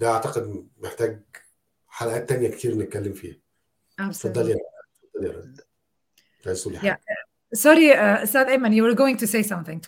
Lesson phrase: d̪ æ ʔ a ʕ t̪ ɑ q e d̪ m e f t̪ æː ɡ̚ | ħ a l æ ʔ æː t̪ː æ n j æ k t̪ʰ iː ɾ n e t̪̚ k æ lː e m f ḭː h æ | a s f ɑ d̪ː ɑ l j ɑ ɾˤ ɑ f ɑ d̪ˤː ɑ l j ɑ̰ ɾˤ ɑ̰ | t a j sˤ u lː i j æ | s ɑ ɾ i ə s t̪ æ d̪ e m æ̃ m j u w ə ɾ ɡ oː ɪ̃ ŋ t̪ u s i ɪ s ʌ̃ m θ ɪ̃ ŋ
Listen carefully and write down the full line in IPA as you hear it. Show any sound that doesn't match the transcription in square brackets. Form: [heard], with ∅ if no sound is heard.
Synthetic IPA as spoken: d̪ æ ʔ a ʕ t̪ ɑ q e d̪ m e [ħ] t̪ æː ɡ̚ | ħ a l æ ʔ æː t̪ː æ n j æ k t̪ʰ iː ɾ n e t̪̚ k æ lː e m f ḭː h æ | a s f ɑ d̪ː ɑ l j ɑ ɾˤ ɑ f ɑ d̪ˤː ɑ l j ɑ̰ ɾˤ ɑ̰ | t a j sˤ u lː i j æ | s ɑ ɾ i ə s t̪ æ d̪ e m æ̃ [n] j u w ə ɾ ɡ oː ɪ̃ ŋ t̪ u s [e] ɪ s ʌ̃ m θ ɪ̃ ŋ